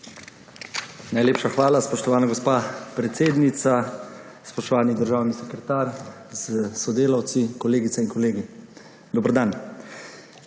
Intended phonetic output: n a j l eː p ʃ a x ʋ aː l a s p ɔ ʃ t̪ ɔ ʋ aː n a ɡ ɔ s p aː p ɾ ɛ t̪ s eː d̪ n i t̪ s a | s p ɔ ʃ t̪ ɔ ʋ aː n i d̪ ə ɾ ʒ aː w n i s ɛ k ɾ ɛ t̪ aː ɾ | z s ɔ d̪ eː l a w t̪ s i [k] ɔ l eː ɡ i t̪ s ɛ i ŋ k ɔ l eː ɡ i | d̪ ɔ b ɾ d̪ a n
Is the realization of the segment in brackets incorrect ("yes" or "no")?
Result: no